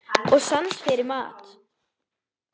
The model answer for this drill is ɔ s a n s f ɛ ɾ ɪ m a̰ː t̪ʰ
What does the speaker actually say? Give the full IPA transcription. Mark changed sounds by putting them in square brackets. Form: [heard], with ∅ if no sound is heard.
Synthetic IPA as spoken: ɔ s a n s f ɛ ɾ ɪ m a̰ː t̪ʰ